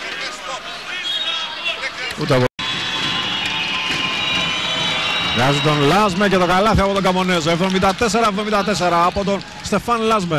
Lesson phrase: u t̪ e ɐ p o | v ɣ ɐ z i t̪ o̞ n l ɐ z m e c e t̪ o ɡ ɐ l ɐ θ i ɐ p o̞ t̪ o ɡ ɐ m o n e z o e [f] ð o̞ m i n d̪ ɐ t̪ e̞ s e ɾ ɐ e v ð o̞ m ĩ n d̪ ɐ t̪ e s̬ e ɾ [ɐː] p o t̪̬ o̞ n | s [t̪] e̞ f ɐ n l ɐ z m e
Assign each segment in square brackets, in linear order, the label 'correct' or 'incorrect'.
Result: incorrect: v, correct, correct

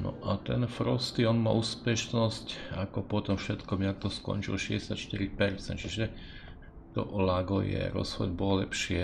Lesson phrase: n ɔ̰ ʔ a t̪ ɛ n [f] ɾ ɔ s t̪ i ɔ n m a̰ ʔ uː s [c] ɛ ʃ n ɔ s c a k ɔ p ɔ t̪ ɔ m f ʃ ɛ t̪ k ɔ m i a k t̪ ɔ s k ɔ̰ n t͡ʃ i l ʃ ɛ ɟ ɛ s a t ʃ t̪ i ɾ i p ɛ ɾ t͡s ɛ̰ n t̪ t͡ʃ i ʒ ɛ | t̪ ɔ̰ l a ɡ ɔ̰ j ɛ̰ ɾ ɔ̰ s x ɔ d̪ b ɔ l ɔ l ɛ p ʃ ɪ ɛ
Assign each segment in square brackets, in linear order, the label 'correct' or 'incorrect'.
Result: correct, incorrect: p

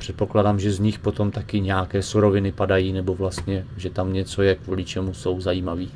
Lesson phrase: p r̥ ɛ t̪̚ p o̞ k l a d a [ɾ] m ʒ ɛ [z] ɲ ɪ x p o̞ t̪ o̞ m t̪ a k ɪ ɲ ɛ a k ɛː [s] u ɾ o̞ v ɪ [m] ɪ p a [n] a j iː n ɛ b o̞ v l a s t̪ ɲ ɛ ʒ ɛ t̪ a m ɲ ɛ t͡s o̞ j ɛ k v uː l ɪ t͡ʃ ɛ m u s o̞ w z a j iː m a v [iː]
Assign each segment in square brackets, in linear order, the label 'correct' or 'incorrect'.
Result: incorrect: none, correct, correct, incorrect: n, incorrect: d, correct

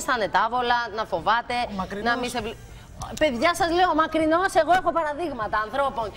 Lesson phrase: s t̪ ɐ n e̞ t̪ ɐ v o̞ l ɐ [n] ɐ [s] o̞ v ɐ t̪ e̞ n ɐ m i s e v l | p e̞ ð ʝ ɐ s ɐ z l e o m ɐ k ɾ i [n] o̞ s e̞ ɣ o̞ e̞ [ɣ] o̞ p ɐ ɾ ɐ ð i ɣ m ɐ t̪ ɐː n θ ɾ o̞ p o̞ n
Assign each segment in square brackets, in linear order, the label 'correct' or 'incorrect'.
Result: correct, incorrect: f, correct, incorrect: x

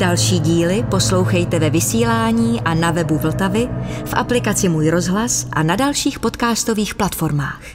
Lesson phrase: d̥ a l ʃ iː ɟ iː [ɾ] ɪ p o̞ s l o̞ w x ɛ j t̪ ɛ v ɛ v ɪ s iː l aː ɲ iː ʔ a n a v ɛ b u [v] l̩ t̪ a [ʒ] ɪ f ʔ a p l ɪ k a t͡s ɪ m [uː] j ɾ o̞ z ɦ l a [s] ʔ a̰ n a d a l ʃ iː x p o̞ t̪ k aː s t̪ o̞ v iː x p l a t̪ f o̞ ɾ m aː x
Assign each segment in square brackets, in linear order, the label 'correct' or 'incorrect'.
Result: incorrect: l, correct, incorrect: v, correct, correct

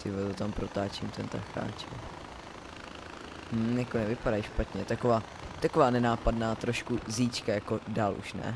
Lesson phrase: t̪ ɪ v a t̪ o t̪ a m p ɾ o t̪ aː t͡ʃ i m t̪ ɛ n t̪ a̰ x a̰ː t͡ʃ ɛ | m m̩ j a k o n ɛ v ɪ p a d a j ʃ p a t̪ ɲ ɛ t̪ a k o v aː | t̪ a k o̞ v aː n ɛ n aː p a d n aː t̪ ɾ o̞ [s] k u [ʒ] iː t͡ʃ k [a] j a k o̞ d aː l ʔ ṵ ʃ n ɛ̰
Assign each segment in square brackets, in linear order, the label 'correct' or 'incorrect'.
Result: incorrect: ʃ, incorrect: z, correct

